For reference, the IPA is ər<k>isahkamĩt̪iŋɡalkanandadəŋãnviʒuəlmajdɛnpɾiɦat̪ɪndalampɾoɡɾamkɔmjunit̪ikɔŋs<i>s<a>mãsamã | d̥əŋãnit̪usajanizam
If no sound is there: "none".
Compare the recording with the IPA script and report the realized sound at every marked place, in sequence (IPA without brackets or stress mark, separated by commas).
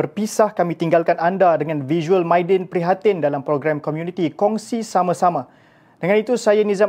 p, i, a